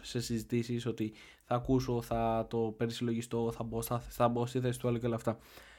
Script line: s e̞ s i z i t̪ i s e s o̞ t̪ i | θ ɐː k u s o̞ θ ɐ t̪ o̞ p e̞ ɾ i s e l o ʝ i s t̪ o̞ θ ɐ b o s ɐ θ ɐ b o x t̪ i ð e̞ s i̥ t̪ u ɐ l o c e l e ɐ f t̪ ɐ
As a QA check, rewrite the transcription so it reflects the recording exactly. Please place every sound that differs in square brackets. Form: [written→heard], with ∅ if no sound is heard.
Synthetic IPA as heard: s e̞ s i z i t̪ i s [e→i] s o̞ t̪ i | θ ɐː k u s o̞ θ ɐ t̪ o̞ p e̞ ɾ i s [e→i] l o ʝ i s t̪ o̞ θ ɐ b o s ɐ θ ɐ b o [x→s] t̪ i [ð→θ] e̞ s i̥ t̪ u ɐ l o c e l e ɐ f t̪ ɐ